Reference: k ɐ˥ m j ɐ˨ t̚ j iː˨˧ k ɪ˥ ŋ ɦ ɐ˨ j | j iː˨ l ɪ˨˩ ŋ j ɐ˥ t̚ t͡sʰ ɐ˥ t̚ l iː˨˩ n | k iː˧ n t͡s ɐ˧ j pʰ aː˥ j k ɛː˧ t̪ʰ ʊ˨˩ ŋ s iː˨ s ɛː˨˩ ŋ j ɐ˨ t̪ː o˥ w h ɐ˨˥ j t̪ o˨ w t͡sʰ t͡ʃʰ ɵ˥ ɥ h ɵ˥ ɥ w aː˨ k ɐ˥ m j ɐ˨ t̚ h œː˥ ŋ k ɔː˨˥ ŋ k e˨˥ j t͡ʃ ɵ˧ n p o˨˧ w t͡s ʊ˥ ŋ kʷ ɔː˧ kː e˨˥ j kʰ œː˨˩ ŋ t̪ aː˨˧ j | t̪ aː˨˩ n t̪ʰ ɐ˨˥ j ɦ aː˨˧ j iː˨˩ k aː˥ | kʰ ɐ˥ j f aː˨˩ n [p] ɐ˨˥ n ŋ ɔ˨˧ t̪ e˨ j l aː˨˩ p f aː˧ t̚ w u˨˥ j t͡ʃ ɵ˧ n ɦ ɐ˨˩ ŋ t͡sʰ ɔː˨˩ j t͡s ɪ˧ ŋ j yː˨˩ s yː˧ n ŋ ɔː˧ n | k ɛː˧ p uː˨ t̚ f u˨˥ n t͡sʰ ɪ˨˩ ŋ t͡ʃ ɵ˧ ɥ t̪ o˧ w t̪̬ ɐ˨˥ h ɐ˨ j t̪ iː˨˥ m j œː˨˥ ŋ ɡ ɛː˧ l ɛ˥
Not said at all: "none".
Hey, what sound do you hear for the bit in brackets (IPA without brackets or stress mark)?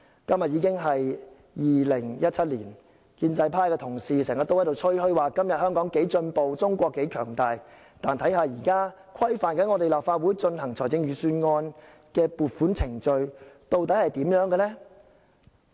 k